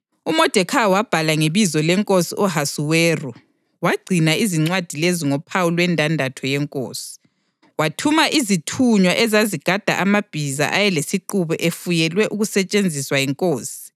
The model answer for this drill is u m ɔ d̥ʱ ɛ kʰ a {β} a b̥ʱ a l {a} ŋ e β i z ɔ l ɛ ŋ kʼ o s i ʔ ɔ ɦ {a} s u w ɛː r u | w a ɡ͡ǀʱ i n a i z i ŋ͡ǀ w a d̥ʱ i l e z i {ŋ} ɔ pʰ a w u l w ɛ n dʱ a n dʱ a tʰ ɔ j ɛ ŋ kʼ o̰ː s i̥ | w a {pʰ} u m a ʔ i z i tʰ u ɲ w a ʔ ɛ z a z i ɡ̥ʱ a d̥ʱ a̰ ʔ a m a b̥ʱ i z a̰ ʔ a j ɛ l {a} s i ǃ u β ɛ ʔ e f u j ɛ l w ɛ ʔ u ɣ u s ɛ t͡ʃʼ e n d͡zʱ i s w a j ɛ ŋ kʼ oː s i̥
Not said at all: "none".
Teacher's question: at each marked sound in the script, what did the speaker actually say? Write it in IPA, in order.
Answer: w, a, a, ŋ, tʰ, e

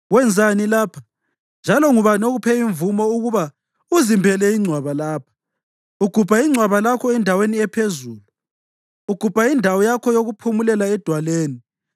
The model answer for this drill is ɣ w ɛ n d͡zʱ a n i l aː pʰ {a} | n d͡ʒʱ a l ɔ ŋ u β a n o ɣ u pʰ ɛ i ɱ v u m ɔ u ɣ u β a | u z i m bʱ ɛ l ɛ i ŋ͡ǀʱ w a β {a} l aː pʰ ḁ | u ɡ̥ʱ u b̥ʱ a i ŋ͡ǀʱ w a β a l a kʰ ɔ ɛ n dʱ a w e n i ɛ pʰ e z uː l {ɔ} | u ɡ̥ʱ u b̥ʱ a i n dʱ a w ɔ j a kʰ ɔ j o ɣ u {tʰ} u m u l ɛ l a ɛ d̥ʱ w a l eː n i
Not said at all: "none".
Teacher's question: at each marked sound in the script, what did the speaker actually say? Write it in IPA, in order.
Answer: a, a, u, pʰ

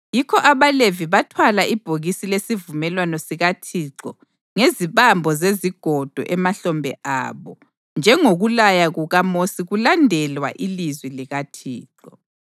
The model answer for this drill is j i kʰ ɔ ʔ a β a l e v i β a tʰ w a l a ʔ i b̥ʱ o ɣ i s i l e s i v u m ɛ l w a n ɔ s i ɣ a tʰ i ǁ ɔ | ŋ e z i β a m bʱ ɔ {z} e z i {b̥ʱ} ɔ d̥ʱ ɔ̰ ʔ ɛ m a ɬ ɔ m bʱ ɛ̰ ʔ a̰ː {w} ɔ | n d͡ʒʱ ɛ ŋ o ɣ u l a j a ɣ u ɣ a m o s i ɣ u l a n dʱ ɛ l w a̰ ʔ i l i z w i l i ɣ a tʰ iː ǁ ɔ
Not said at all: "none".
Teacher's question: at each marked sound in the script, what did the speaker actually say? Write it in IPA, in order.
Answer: z, ɡ̥ʱ, β

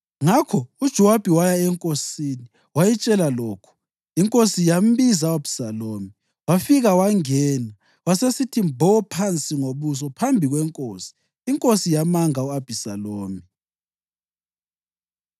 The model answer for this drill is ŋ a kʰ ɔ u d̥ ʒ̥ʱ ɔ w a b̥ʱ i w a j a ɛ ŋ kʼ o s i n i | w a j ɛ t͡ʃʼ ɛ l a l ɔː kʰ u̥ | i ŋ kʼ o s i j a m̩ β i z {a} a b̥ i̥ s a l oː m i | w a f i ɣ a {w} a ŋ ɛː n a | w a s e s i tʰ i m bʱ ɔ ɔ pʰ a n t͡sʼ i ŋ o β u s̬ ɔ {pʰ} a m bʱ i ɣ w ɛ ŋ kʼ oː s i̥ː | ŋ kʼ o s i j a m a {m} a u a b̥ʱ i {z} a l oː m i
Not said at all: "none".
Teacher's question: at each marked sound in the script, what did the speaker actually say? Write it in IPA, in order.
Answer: a, w, pʰ, ŋ, s

